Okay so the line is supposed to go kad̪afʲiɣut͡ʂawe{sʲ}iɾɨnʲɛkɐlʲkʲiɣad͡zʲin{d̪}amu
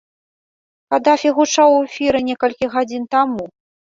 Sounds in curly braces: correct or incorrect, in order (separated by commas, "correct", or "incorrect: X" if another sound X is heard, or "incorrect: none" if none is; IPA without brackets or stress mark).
incorrect: fʲ, incorrect: t̪